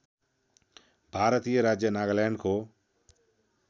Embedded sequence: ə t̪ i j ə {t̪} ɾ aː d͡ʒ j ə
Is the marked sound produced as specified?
no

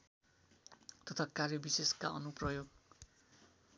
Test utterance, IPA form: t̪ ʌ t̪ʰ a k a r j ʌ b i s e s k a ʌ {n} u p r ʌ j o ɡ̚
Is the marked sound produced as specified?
yes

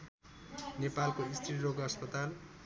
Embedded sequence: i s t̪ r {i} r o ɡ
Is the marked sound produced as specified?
yes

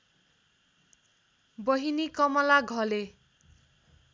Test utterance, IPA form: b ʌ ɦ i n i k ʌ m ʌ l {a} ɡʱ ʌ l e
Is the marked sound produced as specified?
yes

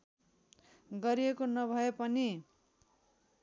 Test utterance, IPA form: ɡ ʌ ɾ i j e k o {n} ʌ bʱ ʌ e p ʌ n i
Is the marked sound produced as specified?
yes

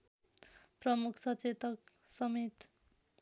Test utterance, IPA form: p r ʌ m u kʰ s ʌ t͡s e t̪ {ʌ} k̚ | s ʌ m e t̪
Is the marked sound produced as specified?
yes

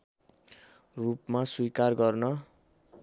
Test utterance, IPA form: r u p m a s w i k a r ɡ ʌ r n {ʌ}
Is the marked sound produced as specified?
yes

